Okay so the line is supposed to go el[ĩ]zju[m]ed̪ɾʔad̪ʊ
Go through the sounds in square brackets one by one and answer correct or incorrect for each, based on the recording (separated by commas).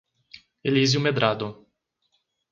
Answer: incorrect, correct